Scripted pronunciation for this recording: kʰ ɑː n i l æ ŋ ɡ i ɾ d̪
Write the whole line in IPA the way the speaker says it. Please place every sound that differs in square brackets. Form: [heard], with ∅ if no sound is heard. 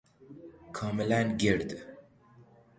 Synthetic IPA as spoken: kʰ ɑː [m] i l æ [n] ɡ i ɾ d̪